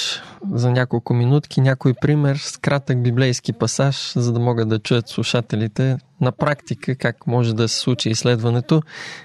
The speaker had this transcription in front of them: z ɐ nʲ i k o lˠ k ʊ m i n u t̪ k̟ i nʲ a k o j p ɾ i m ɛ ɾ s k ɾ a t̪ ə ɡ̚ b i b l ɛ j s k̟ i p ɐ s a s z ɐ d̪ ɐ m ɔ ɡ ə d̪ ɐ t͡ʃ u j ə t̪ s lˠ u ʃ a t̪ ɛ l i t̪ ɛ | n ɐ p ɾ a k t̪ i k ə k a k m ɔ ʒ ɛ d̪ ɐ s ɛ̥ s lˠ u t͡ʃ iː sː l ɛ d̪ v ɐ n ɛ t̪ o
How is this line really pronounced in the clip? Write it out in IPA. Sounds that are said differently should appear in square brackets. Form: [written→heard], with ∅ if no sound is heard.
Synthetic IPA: z ɐ nʲ [i→a] k o lˠ k ʊ m i n u t̪ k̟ i nʲ a k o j p ɾ i m ɛ ɾ s k ɾ a t̪ ə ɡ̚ b i b l ɛ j s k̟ i p ɐ s a [s→ʃ] z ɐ d̪ ɐ m ɔ ɡ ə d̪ ɐ t͡ʃ u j ə t̪ s lˠ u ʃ a t̪ ɛ l i t̪ ɛ | n ɐ p ɾ a k t̪ i k ə k a k m ɔ ʒ ɛ d̪ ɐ s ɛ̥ s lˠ u t͡ʃ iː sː l ɛ d̪ v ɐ n ɛ t̪ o